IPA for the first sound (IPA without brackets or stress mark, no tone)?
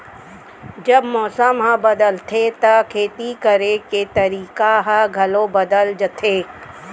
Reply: d͡ʒ